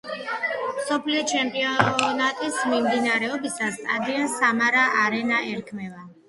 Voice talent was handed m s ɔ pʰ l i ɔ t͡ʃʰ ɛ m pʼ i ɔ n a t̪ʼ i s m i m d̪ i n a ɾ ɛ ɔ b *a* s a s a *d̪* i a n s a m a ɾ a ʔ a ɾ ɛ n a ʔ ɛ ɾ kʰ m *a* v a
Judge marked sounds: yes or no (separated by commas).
no, yes, no